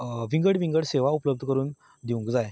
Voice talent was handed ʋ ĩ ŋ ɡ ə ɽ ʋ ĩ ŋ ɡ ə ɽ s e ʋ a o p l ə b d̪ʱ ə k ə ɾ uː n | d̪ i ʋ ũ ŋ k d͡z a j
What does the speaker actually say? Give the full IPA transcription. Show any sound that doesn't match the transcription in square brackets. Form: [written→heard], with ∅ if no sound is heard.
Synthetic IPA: ʋ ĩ ŋ ɡ ə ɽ ʋ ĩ ŋ ɡ ə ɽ s e ʋ a [o→u] p l ə b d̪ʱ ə k ə ɾ uː n | d̪ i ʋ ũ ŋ k d͡z a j